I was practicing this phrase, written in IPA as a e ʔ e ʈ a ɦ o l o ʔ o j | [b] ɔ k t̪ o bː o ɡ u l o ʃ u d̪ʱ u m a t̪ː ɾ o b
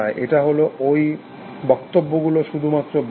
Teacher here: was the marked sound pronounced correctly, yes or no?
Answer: yes